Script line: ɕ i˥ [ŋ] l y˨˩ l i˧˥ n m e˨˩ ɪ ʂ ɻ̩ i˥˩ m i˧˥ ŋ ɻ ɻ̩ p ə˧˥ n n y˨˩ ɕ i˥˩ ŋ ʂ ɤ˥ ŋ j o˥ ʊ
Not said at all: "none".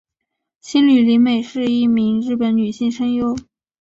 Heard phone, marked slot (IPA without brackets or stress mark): n